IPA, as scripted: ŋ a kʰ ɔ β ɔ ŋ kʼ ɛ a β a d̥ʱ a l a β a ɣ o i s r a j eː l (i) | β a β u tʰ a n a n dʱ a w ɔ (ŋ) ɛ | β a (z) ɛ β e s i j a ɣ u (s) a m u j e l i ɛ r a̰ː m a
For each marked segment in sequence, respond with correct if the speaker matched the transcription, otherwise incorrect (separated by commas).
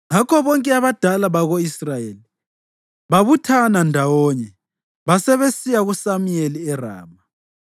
correct, incorrect, incorrect, correct